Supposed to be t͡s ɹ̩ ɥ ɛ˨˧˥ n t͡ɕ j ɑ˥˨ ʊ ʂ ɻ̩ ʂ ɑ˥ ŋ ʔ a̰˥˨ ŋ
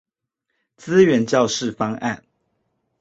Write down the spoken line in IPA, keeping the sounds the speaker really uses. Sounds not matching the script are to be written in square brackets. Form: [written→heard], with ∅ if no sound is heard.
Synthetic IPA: t͡s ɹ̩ ɥ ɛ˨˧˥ n t͡ɕ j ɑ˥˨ ʊ ʂ ɻ̩ [ʂ→f] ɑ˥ ŋ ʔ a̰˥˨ [ŋ→n]

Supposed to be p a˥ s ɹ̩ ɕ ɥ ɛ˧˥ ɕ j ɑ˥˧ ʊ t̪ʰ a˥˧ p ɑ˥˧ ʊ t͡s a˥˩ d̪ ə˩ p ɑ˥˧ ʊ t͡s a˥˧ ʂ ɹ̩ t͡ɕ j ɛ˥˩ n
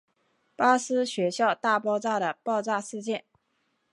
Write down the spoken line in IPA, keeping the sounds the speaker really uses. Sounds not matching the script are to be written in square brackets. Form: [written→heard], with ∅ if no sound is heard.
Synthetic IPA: p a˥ s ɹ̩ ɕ ɥ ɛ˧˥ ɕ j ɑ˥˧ ʊ [t̪ʰ→t̪] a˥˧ p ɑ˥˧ ʊ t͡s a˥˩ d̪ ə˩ p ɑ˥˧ ʊ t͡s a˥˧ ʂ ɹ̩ t͡ɕ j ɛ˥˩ n

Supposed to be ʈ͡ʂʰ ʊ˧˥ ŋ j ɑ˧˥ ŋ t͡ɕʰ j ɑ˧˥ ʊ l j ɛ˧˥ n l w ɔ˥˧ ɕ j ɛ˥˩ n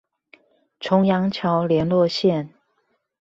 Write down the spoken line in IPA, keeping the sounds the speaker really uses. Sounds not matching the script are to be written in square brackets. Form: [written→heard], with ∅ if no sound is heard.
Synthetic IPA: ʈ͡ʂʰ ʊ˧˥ ŋ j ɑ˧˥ ŋ t͡ɕʰ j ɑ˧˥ ʊ l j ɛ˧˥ n l w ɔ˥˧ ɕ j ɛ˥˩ n

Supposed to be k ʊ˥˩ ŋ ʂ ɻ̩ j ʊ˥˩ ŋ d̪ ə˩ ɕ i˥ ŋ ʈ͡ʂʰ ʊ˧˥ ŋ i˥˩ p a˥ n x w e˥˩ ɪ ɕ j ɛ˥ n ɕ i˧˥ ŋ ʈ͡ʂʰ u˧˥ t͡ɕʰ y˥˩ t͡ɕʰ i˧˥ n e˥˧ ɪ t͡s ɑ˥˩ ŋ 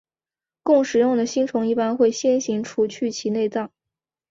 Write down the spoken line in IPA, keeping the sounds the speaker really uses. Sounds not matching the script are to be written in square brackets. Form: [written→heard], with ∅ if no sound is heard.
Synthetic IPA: k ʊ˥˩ ŋ ʂ ɻ̩ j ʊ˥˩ ŋ d̪ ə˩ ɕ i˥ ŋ ʈ͡ʂʰ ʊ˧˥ ŋ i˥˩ p a˥ n x w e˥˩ ɪ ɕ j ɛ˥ n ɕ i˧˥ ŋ ʈ͡ʂʰ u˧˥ t͡ɕʰ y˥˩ t͡ɕʰ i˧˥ n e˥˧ ɪ t͡s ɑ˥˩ ŋ

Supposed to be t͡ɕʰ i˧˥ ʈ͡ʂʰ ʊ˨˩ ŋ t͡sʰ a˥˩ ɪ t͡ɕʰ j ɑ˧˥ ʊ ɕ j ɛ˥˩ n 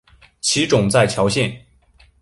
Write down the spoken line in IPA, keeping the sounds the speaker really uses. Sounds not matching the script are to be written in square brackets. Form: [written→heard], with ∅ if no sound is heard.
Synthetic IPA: t͡ɕʰ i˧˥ [ʈ͡ʂʰ→ʈ͡ʂ] ʊ˨˩ ŋ [t͡sʰ→t͡s] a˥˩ ɪ t͡ɕʰ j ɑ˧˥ ʊ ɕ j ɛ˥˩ n

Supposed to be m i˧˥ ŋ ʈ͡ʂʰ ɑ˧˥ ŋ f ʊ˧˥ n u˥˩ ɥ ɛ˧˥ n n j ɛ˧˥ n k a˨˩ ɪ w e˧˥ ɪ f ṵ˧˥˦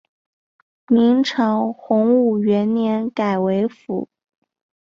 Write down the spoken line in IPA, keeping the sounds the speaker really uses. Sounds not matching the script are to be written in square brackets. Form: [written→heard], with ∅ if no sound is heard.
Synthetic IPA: m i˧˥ ŋ ʈ͡ʂʰ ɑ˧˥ ŋ [f→x] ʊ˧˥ [n→ŋ] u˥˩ ɥ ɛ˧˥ n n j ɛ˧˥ n k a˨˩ ɪ w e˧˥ ɪ f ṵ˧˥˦

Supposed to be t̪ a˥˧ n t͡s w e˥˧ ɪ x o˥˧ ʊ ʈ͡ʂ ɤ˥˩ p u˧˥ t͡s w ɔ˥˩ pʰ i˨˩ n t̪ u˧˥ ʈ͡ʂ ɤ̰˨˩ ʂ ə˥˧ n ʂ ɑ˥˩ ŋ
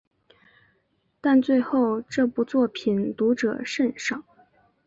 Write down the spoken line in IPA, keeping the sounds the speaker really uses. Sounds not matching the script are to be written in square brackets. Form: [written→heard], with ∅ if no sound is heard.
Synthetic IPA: t̪ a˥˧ n t͡s w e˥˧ ɪ x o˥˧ ʊ ʈ͡ʂ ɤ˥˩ p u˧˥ t͡s w ɔ˥˩ pʰ i˨˩ n t̪ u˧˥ ʈ͡ʂ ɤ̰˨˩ ʂ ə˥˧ n ʂ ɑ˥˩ ŋ

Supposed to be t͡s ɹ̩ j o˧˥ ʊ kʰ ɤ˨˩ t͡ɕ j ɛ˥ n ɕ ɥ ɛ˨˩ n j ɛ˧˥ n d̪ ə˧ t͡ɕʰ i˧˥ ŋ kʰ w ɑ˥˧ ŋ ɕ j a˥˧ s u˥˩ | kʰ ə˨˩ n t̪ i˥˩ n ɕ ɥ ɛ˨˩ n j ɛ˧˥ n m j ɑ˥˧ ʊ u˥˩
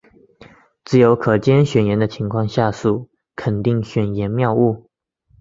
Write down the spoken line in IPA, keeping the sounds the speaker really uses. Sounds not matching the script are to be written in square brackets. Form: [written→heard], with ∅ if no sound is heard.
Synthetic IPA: t͡s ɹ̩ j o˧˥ ʊ kʰ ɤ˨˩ t͡ɕ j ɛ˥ n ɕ ɥ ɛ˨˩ n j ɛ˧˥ n d̪ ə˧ t͡ɕʰ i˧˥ ŋ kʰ w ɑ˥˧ ŋ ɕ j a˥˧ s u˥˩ | kʰ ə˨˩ n t̪ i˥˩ [n→ŋ] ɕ ɥ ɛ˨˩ n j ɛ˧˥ n m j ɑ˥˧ ʊ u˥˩

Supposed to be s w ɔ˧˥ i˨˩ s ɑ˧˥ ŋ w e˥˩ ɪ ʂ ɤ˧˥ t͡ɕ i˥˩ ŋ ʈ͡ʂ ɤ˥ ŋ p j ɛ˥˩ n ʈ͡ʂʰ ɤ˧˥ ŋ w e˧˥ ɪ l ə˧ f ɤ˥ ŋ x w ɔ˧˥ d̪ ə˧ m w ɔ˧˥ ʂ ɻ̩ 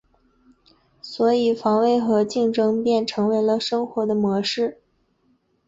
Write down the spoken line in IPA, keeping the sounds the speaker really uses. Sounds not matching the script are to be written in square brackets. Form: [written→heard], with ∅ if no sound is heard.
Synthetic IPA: s w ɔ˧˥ i˨˩ [s→f] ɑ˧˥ ŋ w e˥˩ ɪ [ʂ→x] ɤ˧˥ t͡ɕ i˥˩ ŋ ʈ͡ʂ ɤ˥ ŋ p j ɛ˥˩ n ʈ͡ʂʰ ɤ˧˥ ŋ w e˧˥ ɪ l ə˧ [f→ʂ] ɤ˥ ŋ x w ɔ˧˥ d̪ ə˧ m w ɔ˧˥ ʂ ɻ̩

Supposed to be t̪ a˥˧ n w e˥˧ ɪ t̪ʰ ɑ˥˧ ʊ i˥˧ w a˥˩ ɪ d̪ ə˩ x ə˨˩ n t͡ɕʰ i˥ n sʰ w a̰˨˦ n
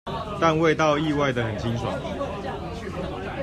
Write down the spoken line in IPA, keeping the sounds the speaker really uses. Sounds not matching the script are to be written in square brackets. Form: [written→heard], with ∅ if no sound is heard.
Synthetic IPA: t̪ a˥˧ n w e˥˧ ɪ [t̪ʰ→t̪] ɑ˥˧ ʊ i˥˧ w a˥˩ ɪ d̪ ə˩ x ə˨˩ n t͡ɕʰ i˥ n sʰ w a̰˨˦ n

